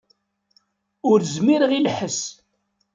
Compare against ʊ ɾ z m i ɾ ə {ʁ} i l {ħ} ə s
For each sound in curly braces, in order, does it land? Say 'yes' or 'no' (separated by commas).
yes, yes